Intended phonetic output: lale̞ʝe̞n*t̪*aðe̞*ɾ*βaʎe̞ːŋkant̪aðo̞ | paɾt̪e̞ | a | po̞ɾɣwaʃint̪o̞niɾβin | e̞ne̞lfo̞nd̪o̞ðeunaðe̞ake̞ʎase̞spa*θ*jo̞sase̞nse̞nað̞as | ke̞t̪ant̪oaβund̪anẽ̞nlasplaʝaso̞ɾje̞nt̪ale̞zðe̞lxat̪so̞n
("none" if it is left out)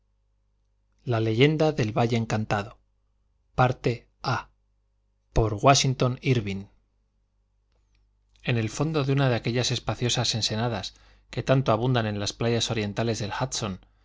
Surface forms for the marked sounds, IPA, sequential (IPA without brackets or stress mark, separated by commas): d̪, l, θ